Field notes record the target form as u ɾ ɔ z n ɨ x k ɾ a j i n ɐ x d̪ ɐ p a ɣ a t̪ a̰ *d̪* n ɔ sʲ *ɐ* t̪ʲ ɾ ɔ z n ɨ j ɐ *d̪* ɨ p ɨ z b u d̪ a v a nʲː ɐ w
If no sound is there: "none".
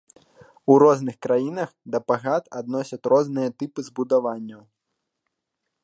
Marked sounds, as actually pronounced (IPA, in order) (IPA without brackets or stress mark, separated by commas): d̪, ɐ, t̪